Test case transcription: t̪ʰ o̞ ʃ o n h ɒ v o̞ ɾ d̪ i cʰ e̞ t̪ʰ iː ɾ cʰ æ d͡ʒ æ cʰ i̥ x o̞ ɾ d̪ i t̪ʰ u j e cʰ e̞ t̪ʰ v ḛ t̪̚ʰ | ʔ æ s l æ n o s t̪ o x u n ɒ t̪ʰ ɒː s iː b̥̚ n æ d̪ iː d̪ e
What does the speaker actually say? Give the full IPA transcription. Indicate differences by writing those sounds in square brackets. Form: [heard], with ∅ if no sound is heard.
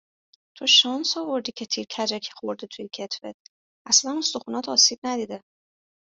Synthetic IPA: t̪ʰ o̞ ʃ [ɒ] n [s] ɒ v o̞ ɾ d̪ i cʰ e̞ t̪ʰ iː ɾ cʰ æ d͡ʒ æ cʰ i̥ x o̞ ɾ d̪ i t̪ʰ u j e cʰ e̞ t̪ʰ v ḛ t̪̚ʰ | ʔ æ s l æ n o s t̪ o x u n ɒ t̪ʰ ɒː s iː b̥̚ n æ d̪ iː d̪ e